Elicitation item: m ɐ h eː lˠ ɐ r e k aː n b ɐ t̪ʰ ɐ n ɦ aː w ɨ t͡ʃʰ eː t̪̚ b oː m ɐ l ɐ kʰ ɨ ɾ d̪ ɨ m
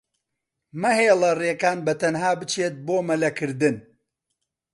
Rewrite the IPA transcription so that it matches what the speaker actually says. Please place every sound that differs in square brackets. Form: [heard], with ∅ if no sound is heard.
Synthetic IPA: m ɐ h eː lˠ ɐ r e k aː n b ɐ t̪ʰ ɐ n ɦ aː [b] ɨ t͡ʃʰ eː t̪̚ b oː m ɐ l ɐ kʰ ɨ ɾ d̪ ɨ [n]

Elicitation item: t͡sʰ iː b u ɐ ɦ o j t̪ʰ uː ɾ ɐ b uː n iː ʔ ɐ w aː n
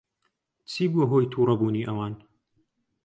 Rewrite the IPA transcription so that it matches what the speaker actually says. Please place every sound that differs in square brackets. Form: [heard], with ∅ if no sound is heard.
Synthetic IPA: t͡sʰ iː b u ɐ ɦ o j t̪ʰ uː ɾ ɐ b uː n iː ʔ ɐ w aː n

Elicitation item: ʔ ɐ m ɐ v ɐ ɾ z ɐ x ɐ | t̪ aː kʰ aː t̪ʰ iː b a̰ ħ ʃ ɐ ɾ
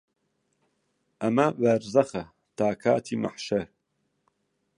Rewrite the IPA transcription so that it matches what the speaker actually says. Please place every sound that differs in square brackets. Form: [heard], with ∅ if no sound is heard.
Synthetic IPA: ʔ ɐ m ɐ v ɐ ɾ z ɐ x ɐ | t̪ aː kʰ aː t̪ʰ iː [m] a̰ ħ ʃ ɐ ɾ

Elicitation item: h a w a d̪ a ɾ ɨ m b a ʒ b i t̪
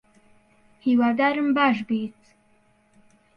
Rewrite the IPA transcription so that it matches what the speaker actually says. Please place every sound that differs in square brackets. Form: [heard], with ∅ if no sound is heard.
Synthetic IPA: h [i] w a d̪ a ɾ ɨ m b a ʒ b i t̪

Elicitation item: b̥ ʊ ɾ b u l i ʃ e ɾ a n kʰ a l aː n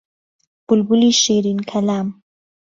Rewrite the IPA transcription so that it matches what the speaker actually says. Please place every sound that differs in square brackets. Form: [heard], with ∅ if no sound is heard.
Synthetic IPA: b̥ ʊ [l] b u l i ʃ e ɾ [i] n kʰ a l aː [m]

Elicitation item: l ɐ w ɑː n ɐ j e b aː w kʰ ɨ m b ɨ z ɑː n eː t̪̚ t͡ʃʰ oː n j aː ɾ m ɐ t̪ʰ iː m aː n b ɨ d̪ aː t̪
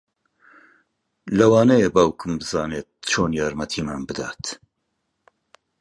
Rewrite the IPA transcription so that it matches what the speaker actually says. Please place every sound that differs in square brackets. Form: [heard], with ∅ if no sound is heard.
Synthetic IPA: l ɐ w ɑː n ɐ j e b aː w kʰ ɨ m b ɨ z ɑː n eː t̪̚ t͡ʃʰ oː n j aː ɾ m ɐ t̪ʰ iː m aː n b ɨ d̪ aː t̪

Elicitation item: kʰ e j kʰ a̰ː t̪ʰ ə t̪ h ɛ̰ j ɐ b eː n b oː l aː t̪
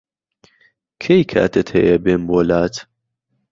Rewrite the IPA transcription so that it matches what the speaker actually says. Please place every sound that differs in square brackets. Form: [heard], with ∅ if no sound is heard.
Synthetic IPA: kʰ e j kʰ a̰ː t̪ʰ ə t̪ h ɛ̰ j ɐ b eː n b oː l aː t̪

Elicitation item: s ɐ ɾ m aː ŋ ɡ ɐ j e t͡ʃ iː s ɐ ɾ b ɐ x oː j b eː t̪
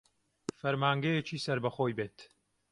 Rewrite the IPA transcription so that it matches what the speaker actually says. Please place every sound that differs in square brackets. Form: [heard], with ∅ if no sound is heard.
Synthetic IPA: [f] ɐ ɾ m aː ŋ ɡ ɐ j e t͡ʃ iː s ɐ ɾ b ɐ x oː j b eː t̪

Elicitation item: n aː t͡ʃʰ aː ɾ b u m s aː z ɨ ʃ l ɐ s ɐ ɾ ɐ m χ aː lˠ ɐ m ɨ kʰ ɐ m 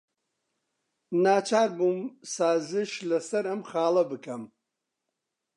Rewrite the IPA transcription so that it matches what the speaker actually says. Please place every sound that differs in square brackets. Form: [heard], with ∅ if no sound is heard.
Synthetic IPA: n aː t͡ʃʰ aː ɾ b u m s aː z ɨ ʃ l ɐ s ɐ ɾ ɐ m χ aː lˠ ɐ [b] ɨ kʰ ɐ m

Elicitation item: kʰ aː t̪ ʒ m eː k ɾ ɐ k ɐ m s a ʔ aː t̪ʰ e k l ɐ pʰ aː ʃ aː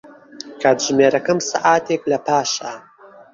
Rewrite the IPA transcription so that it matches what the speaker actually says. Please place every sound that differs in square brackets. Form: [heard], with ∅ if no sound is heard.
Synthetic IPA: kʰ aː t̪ ʒ m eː [∅] ɾ ɐ k ɐ m s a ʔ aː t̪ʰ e k l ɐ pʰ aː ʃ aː

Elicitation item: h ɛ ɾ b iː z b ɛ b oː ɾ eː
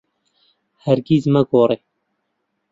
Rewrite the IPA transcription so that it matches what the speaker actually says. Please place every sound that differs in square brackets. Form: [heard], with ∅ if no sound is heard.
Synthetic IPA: h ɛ ɾ [ɡ] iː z [m] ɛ [ɡ] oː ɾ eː

